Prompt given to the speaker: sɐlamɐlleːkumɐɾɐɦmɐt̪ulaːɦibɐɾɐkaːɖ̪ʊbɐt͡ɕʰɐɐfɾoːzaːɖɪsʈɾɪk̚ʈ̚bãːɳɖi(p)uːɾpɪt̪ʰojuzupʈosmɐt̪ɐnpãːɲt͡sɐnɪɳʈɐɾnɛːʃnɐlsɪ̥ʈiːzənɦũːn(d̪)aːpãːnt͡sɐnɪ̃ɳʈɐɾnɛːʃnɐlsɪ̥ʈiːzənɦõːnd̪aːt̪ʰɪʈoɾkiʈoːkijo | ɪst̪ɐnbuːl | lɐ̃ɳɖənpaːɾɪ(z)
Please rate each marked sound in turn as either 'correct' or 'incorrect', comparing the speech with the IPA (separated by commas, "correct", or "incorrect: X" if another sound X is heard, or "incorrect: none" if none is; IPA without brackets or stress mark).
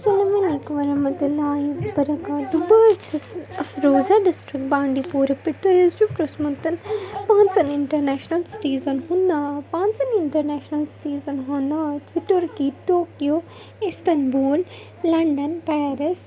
correct, correct, incorrect: s